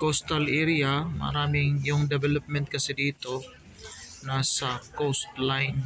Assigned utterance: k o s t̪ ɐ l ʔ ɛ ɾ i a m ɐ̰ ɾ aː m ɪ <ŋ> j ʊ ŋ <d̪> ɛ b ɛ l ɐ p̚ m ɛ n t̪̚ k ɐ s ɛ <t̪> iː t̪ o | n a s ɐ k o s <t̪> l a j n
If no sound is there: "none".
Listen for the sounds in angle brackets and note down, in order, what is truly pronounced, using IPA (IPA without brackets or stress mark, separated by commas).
ŋ, d̪, d̪, t̪